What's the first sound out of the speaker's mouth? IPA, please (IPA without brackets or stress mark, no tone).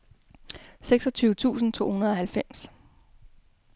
s